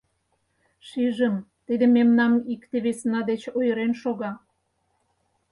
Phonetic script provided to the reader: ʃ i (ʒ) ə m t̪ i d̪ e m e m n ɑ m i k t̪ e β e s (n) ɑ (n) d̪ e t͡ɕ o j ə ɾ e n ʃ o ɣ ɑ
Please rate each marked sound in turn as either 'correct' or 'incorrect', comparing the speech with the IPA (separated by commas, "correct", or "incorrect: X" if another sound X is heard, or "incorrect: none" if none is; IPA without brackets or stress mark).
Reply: correct, correct, incorrect: none